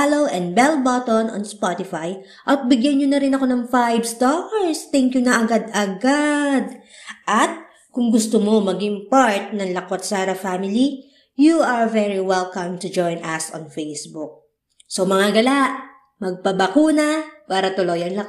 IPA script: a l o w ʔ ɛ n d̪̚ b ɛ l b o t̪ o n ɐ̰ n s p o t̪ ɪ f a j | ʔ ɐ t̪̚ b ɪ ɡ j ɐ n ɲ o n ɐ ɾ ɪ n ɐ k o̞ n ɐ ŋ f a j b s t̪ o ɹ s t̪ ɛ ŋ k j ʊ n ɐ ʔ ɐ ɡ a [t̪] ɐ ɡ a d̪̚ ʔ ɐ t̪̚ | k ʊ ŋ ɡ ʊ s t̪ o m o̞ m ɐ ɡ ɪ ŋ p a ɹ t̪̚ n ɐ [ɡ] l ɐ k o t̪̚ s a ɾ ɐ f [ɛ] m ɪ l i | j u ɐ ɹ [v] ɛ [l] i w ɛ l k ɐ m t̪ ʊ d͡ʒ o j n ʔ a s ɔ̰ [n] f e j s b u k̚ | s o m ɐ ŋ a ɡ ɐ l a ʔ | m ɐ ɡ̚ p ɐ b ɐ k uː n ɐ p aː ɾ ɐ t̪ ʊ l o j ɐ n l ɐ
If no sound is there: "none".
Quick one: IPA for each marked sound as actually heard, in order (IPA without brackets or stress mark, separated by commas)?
d̪, ŋ, a, v, ɹ, n